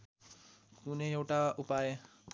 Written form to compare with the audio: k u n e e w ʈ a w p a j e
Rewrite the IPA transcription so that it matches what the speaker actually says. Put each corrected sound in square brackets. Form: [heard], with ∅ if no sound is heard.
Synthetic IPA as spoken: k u n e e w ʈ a [u] p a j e